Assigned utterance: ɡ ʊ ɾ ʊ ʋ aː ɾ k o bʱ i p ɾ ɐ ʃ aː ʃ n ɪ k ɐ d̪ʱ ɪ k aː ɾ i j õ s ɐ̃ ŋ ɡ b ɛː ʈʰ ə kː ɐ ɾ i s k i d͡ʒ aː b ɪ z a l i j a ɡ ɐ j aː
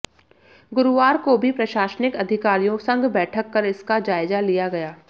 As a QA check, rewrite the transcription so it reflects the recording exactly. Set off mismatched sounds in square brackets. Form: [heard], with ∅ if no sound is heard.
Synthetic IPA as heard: ɡ ʊ ɾ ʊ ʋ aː ɾ k o bʱ i p ɾ ɐ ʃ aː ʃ n ɪ k ɐ d̪ʱ ɪ k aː ɾ i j õ s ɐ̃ ŋ ɡ b ɛː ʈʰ ə kː ɐ ɾ [ɪ] s k [a] d͡ʒ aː [∅] ɪ z a l i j a ɡ ɐ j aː